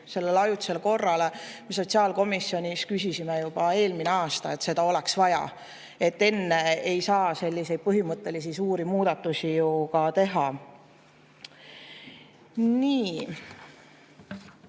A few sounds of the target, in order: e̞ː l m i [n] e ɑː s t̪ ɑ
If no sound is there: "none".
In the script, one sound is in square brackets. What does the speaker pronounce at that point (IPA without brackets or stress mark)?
n